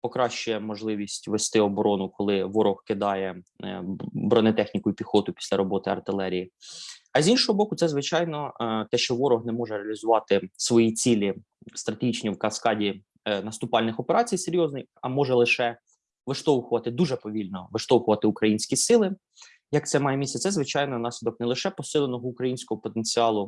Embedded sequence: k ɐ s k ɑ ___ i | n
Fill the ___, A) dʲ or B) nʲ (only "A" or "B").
A